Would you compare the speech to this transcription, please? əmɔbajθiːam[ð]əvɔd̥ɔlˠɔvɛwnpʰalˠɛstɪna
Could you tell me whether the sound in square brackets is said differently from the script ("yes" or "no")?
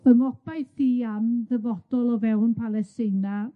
no